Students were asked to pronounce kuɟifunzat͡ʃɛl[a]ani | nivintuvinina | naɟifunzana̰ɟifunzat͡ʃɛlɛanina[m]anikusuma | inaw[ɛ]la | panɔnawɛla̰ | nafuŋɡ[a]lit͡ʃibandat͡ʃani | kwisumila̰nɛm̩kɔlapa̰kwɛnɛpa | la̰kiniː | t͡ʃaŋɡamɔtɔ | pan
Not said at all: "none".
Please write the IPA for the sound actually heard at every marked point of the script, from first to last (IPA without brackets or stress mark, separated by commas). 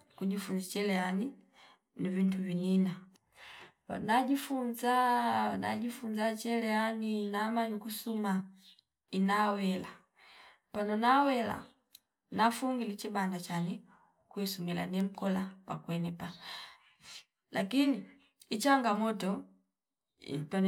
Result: ɛ, m, ɛ, i